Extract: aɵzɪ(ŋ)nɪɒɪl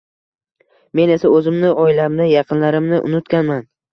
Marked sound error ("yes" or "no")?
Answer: yes